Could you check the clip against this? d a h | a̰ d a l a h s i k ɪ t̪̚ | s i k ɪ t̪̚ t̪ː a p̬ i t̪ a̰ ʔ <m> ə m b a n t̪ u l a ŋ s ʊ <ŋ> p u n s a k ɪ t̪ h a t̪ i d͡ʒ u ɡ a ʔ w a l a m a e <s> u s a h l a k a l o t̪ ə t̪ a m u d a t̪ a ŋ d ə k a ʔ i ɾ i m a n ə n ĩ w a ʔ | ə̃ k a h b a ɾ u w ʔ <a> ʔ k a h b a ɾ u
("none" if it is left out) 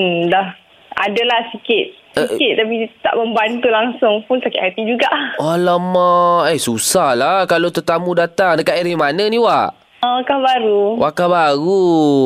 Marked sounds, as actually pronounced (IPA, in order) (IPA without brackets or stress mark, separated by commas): m, ŋ, s, a